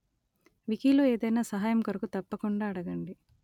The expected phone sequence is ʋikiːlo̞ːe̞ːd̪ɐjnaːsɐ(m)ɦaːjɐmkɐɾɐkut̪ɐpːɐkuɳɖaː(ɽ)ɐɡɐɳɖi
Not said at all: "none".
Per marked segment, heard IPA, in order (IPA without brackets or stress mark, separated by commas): none, ɽ